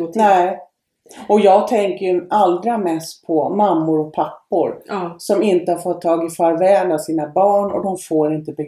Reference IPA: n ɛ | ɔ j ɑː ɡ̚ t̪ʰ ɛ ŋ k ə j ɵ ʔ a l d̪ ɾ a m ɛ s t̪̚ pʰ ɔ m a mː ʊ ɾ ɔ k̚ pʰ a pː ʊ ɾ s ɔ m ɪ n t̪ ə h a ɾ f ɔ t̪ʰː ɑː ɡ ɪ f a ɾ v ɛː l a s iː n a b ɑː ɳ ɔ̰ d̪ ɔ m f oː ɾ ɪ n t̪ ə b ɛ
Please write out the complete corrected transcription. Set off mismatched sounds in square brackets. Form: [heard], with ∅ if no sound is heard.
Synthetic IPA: n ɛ | ɔ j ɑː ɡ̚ t̪ʰ ɛ ŋ k ə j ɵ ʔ a l d̪ ɾ a m ɛ s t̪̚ pʰ ɔ m a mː ʊ ɾ ɔ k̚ pʰ a pː ʊ ɾ s ɔ m ɪ n t̪ ə h a ɾ f ɔ t̪ʰː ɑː ɡ ɪ f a ɾ v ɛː l a s iː n a b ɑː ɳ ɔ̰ d̪ ɔ m f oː ɾ ɪ n t̪ ə b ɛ